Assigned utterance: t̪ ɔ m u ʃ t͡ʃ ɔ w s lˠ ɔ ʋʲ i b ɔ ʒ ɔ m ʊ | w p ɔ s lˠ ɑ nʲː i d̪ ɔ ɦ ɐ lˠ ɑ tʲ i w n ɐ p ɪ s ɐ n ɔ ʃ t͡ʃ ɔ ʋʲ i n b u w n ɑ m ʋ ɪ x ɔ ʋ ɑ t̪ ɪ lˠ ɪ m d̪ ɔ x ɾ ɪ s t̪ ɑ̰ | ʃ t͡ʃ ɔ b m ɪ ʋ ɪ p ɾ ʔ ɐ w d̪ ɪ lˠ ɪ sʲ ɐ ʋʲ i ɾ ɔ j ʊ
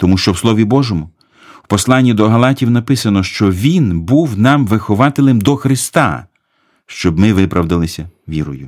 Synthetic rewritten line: t̪ ɔ m u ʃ t͡ʃ ɔ w s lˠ ɔ ʋʲ i b ɔ ʒ ɔ m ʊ | w p ɔ s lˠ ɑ nʲː i d̪ ɔ ɦ ɐ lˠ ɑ tʲ i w n ɐ p ɪ s ɐ n ɔ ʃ t͡ʃ ɔ ʋʲ i n b u w n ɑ m ʋ ɪ x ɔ ʋ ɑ t̪ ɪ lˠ ɪ m d̪ ɔ x ɾ ɪ s t̪ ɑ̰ | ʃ t͡ʃ ɔ b m ɪ ʋ ɪ p ɾ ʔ ɐ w d̪ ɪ lˠ ɪ sʲ ɐ ʋʲ i ɾ ɔ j ʊ